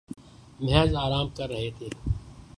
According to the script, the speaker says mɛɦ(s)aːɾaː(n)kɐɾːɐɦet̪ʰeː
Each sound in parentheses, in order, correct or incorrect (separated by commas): incorrect, incorrect